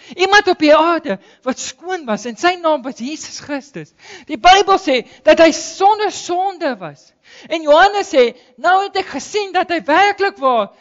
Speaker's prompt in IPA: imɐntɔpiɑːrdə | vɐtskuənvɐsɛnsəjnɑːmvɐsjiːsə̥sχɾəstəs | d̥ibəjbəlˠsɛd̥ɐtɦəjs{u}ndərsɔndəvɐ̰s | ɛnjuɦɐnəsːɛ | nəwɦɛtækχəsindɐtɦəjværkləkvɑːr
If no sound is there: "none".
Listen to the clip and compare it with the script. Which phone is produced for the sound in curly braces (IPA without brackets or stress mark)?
ɔ